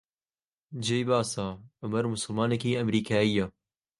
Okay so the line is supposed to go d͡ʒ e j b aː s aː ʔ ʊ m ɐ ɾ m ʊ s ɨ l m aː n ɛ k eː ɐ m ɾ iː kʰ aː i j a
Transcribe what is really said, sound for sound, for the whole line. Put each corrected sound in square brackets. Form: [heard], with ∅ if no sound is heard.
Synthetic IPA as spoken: d͡ʒ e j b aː s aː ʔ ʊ m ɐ ɾ m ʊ s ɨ l m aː n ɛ k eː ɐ m ɾ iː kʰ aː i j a

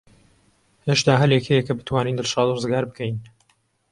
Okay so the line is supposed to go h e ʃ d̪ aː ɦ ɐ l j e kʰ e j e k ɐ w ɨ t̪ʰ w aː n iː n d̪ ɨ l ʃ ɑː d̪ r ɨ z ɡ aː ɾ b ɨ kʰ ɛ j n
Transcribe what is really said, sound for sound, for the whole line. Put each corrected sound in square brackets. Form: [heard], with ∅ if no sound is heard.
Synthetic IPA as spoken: h e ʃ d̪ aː ɦ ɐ l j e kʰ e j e k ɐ [b] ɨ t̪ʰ w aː n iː n d̪ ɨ l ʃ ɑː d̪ r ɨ z ɡ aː ɾ b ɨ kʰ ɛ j n

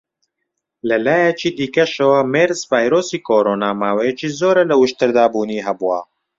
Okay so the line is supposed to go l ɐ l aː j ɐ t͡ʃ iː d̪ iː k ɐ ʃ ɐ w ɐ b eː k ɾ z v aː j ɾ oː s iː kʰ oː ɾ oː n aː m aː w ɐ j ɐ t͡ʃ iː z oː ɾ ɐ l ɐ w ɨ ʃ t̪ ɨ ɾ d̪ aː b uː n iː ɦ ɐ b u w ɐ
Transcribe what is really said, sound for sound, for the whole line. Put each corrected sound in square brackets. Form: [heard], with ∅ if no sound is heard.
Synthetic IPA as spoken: l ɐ l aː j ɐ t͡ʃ iː d̪ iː k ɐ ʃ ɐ w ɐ [m] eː [∅] ɾ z v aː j ɾ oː s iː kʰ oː ɾ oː n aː m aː w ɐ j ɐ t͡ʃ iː z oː ɾ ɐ l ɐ w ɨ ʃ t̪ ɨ ɾ d̪ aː b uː n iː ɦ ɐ b u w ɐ

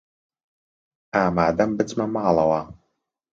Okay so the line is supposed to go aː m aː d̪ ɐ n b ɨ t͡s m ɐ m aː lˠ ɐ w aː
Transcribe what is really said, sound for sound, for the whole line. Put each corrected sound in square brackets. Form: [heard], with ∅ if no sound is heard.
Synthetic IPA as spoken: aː m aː d̪ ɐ [m] b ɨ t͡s m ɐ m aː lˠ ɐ w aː

